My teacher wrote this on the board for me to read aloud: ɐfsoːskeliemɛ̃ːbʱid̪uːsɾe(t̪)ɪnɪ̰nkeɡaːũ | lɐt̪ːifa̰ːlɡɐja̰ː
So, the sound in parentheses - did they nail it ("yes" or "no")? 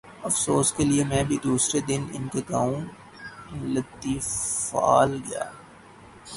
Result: no